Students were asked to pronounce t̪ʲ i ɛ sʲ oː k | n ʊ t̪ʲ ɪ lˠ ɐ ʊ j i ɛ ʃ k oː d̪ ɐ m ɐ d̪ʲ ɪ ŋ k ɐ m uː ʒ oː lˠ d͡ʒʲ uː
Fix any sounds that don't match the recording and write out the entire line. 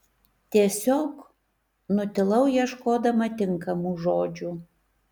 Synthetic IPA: t̪ʲ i ɛ sʲ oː k | n ʊ t̪ʲ ɪ lˠ ɐ ʊ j i ɛ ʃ k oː d̪ ɐ m ɐ t̪ʲ ɪ ŋ k ɐ m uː ʒ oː d͡ʒʲ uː

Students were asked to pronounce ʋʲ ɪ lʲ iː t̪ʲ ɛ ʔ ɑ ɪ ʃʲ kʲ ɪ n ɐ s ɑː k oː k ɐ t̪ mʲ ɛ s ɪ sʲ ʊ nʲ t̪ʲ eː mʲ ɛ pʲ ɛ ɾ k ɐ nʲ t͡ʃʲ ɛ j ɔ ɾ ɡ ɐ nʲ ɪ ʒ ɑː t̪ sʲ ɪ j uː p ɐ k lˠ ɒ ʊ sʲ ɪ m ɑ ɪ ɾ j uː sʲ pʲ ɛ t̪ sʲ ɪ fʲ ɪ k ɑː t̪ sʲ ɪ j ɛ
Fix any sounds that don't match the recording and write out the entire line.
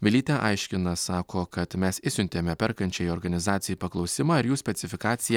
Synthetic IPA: ʋʲ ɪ lʲ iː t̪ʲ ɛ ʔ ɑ ɪ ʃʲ kʲ ɪ n ɐ s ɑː k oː k ɐ t̪ mʲ ɛ s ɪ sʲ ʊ nʲ t̪ʲ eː mʲ ɛ pʲ ɛ ɾ k ɐ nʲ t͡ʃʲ ɛ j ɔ ɾ ɡ ɐ nʲ ɪ z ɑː t̪ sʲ ɪ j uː p ɐ k lˠ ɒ ʊ sʲ ɪ m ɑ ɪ ɾ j uː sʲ pʲ ɛ t̪ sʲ ɪ fʲ ɪ k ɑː t̪ sʲ ɪ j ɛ

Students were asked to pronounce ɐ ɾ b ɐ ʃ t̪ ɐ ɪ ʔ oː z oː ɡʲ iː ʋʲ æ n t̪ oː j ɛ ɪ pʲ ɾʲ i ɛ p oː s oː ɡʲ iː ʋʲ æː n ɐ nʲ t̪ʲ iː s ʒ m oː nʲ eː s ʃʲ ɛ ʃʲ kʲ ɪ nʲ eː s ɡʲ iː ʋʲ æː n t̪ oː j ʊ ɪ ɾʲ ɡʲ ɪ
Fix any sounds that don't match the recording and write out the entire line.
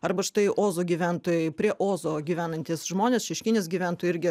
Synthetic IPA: ɐ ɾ b ɐ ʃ t̪ ɐ ɪ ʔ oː z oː ɡʲ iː ʋʲ æ n t̪ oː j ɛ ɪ pʲ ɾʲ i ɛ ʔ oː z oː ɡʲ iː ʋʲ æː n ɐ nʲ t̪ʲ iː s ʒ m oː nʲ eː s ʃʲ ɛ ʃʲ kʲ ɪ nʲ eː s ɡʲ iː ʋʲ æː n t̪ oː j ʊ ɪ ɾʲ ɡʲ ɪ

